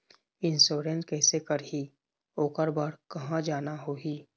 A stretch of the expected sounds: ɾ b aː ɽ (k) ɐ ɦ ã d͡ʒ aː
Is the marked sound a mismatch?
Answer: no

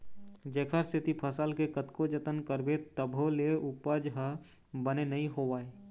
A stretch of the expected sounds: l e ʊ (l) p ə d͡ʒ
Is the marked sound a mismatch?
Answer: yes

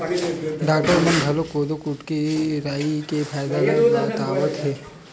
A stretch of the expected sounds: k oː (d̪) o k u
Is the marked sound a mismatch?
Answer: no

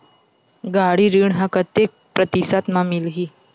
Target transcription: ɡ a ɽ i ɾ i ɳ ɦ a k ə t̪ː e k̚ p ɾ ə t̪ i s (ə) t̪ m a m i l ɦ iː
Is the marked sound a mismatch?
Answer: yes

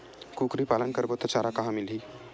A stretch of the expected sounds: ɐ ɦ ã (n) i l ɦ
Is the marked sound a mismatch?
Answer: yes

